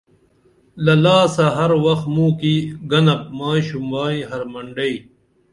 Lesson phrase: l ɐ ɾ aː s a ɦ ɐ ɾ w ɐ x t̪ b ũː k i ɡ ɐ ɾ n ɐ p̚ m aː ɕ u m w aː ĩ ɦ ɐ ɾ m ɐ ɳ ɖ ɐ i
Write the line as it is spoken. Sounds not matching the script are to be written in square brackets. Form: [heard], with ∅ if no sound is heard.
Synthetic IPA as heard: l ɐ [l] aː s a ɦ ɐ ɾ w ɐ x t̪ [m] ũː k i ɡ ɐ [∅] n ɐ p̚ m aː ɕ u m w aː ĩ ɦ ɐ ɾ m ɐ ɳ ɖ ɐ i